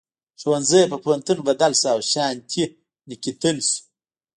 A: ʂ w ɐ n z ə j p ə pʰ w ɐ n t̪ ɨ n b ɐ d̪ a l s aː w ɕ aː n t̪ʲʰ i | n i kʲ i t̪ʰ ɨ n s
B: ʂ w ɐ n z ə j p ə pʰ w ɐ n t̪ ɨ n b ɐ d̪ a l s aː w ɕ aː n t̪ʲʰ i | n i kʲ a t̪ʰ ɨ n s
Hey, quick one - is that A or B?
A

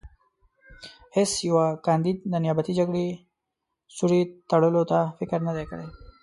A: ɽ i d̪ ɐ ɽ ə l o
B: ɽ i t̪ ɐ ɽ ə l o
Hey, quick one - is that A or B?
B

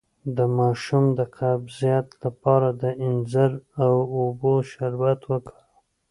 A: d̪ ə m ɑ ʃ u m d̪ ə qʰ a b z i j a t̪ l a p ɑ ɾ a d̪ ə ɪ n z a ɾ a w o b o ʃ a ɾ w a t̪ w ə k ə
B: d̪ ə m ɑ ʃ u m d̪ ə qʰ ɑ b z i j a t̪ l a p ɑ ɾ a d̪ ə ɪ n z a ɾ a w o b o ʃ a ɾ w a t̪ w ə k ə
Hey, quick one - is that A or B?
A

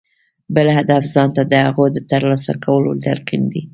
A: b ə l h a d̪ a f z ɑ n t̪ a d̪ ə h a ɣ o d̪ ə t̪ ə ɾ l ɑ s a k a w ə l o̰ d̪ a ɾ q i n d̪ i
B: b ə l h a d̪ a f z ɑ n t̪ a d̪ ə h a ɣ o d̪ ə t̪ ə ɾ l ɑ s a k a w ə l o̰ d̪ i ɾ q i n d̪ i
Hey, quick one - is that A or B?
A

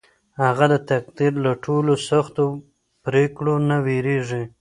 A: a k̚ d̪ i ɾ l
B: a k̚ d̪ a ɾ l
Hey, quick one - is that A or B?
A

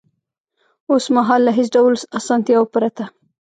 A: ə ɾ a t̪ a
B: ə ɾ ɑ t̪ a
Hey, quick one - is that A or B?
A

